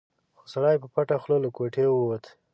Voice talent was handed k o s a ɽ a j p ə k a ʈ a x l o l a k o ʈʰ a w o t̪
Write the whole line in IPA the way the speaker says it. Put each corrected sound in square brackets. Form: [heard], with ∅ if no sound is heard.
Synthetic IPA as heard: [x] o s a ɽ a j p ə [p] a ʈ a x l o l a k o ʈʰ [e] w o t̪